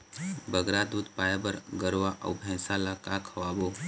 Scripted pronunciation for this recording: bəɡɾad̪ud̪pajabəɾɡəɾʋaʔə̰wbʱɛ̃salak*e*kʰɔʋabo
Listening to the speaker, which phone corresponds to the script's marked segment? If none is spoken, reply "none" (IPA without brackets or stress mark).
a